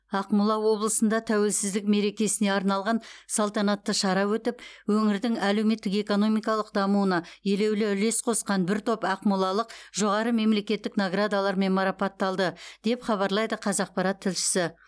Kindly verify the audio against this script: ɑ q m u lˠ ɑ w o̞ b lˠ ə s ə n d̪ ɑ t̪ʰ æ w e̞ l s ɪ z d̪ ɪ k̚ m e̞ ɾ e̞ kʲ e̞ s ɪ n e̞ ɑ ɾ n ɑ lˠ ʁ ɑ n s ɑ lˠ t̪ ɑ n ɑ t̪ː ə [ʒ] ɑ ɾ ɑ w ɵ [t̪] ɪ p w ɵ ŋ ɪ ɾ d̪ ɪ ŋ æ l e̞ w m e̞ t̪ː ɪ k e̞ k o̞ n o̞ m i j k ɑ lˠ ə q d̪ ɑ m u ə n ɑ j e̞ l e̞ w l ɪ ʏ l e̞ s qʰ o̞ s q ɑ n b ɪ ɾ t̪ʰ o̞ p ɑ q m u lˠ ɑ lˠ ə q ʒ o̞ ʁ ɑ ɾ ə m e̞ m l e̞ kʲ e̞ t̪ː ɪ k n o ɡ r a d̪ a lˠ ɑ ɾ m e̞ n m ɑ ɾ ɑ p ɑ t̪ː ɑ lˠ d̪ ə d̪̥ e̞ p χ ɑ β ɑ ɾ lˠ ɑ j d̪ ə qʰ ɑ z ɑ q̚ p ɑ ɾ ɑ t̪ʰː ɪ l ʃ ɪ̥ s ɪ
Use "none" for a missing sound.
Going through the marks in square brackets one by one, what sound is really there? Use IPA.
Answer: ʃ, t̪

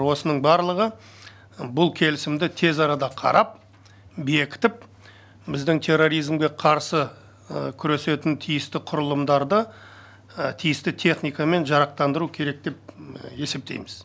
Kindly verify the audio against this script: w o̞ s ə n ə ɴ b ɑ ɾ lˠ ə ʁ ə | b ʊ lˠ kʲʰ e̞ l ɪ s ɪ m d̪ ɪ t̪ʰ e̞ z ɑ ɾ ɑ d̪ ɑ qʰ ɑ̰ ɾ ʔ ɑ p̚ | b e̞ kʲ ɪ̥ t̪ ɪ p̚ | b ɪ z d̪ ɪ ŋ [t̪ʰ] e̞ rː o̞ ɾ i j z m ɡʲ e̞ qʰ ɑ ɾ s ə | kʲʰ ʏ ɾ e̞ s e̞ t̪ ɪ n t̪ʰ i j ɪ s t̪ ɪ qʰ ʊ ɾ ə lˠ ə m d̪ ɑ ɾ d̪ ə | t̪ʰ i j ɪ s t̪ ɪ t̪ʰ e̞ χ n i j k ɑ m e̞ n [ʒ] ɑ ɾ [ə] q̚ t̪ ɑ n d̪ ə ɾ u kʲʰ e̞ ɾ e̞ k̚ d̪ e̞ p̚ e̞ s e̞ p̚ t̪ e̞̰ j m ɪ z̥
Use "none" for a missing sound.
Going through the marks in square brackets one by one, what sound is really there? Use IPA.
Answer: t̪ʰ, ʒ, ɑ

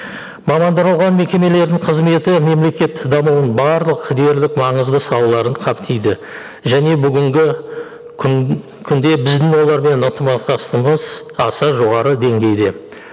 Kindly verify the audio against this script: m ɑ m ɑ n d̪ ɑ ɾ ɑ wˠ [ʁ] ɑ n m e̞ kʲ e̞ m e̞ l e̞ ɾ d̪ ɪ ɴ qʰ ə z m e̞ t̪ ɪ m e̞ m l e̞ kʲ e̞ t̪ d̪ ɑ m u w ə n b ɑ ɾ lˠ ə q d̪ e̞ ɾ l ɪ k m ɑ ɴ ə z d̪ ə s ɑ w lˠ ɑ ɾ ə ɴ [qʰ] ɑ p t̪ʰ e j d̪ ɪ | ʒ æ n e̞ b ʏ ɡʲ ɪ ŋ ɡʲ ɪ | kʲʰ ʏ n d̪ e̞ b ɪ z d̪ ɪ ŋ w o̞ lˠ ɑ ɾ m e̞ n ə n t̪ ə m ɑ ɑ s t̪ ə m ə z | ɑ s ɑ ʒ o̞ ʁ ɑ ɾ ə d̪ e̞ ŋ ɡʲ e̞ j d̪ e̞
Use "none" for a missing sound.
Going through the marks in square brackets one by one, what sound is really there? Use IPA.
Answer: ʁ, qʰ

